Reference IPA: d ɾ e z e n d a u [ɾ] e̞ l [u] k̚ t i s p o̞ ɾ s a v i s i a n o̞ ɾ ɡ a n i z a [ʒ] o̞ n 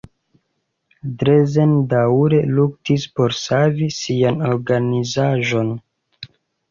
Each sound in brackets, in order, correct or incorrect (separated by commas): correct, correct, correct